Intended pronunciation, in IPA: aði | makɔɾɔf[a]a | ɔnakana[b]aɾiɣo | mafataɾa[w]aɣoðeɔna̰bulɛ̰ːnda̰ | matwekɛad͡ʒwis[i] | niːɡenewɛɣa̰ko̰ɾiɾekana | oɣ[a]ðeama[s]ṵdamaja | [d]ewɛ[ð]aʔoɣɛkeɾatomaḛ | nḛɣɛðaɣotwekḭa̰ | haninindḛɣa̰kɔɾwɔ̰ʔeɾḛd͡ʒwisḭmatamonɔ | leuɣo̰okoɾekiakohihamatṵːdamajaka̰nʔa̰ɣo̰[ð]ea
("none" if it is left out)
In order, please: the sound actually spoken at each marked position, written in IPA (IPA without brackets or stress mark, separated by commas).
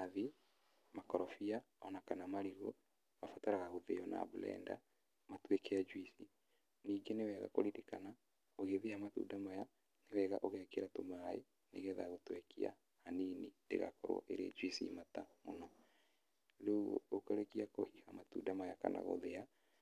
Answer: i, m, ɣ, i, e, t, n, ɣ, ð